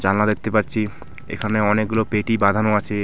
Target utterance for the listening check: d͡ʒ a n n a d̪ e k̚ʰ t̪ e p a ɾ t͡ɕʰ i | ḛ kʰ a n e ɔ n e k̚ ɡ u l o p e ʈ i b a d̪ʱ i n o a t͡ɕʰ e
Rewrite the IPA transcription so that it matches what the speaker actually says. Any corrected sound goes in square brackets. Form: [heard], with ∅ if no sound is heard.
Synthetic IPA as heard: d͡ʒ a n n a d̪ e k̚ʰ t̪ e p a ɾ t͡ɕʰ i | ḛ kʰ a n e ɔ n e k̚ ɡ u l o p e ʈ i b a d̪ʱ [a] n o a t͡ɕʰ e